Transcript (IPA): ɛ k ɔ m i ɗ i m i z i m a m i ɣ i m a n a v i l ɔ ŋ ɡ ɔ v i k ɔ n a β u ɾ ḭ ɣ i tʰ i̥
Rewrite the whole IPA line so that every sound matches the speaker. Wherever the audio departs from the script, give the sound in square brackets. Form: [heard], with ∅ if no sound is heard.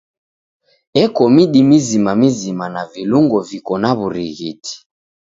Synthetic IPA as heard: ɛ k ɔ m i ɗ i m i z i m a m i [z] i m a n a v i l [u] ŋ ɡ ɔ v i k ɔ n a β u ɾ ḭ ɣ i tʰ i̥